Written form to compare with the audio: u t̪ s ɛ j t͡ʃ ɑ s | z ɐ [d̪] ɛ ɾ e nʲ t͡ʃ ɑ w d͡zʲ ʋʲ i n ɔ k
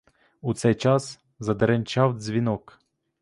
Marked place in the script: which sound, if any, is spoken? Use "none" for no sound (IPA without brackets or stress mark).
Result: d̪